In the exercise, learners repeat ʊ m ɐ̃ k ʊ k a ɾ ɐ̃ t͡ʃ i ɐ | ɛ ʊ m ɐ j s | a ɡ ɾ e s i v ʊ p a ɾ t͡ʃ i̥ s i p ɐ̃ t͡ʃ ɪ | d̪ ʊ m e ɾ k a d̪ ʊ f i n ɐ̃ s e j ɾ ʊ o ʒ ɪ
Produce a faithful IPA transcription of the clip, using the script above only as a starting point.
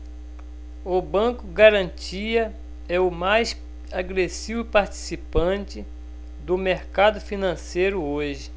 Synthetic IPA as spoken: ʊ b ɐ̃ k ʊ ɡ a ɾ ɐ̃ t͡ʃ i ɐ | ɛ ʊ m a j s | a ɡ ɾ e s i v ʊ p a ɾ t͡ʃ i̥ s i p ɐ̃ t͡ʃ ɪ | d̪ ʊ m e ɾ k a d̪ ʊ f i n ɐ̃ s e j ɾ ʊ o ʒ ɪ

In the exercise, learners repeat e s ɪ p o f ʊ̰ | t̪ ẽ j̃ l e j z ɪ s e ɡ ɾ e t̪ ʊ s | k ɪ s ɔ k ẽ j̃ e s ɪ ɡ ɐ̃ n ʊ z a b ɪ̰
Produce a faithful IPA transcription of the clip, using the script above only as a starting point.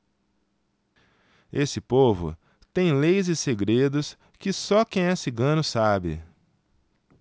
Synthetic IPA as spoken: e s ɪ p o v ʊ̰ | t̪ ẽ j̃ l e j z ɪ s e ɡ ɾ e d̪ ʊ s | k ɪ s ɔ k ẽ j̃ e s ɪ ɡ ɐ̃ n ʊ s a b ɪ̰

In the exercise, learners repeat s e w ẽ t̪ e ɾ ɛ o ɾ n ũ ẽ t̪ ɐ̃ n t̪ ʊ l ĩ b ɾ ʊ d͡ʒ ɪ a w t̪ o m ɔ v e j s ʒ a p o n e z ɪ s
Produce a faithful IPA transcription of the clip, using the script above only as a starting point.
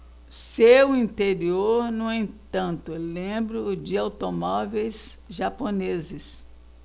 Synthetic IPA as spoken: s e w ĩ t̪ e ɾ i o ɾ n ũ ẽ t̪ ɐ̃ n t̪ ʊ l ẽ b ɾ ʊ d͡ʒ ɪ a w t̪ o m ɔ v e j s ʒ a p o n e z ɪ s

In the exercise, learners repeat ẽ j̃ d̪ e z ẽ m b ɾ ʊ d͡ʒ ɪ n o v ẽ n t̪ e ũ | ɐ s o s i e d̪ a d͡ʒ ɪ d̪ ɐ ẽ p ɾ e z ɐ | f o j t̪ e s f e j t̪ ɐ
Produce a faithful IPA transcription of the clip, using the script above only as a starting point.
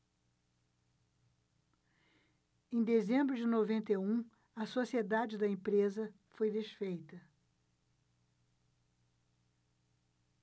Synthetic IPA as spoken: ẽ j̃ d̪ e z ẽ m b ɾ ʊ d͡ʒ ɪ n o v ẽ n t̪ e ũ | ɐ s o s i e d̪ a d͡ʒ ɪ d̪ ɐ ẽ p ɾ e z ɐ | f o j d̪ e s f e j t̪ ɐ

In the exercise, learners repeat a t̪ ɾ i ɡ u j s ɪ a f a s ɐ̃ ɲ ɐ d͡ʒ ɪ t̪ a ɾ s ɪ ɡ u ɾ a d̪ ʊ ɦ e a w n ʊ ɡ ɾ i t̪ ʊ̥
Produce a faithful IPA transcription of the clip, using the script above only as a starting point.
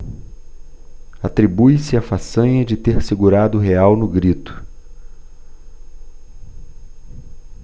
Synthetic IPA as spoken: a t̪ ɾ i b u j s ɪ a f a s ɐ̃ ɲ ɐ d͡ʒ ɪ t̪ e ɾ s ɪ ɡ u ɾ a d̪ ʊ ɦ e a w n ʊ ɡ ɾ i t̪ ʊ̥

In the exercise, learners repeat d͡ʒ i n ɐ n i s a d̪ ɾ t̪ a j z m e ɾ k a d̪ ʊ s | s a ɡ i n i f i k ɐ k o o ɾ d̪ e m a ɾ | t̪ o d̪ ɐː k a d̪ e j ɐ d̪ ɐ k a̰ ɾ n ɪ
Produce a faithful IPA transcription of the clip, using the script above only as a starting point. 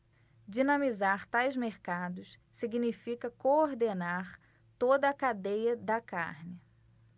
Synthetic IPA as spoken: d͡ʒ i n ɐ m i z a ɾ t̪ a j z m e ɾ k a d̪ ʊ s | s i ɡ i n i f i k ɐ k o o ɾ d̪ e n a ɾ | t̪ o d̪ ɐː k a d̪ e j ɐ d̪ ɐ k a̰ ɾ n ɪ

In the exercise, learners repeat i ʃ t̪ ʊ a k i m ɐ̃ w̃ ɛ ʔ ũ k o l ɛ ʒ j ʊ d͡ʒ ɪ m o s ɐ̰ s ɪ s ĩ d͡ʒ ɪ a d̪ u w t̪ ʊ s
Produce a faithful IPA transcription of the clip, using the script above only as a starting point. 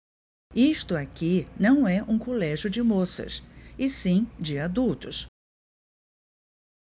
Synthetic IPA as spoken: i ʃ t̪ ʊ a k i n ɐ̃ w̃ ɛ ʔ ũ k o l ɛ ʒ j ʊ d͡ʒ ɪ m o s ɐ̰ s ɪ s ĩ d͡ʒ ɪ a d̪ u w t̪ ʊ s

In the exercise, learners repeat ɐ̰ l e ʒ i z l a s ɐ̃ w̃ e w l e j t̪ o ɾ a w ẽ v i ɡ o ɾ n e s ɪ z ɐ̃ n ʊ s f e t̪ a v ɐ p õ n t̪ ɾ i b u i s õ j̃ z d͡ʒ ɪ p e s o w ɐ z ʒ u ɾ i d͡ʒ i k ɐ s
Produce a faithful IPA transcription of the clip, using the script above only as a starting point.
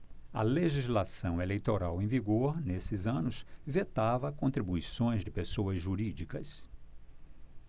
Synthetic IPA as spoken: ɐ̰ l e ʒ i z l a s ɐ̃ w̃ e l e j t̪ o ɾ a w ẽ v i ɡ o ɾ n e s ɪ z ɐ̃ n ʊ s v e t̪ a v ɐ k õ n t̪ ɾ i b u i s õ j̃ z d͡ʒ ɪ p e s o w ɐ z ʒ u ɾ i d͡ʒ i k ɐ s

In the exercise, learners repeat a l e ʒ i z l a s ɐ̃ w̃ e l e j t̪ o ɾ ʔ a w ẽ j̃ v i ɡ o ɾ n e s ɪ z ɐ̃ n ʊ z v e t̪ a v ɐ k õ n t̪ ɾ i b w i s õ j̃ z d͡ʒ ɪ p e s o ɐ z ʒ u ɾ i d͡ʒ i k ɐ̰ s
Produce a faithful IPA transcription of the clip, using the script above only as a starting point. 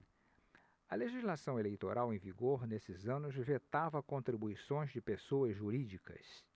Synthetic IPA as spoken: ɐ l e ʒ i z l a s ɐ̃ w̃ e l e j t̪ o ɾ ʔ a w ẽ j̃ v i ɡ o ɾ n e s ɪ z ɐ̃ n ʊ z v e t̪ a v ɐ k õ n t̪ ɾ i b u i s õ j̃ z d͡ʒ ɪ p e s o ɐ z ʒ u ɾ i d͡ʒ i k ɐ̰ s

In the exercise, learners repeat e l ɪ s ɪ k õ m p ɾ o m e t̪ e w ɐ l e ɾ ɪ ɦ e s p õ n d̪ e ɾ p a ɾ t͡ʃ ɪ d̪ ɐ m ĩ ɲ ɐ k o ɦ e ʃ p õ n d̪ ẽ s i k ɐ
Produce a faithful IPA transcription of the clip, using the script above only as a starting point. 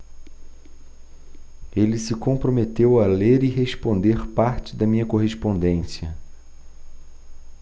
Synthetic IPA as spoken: e l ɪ s ɪ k õ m p ɾ o m e t̪ e w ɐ l e ɾ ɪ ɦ e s p õ n d̪ e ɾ p a ɾ t͡ʃ ɪ d̪ ɐ m ĩ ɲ ɐ k o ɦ e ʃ p õ n d̪ ẽ s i ɐ

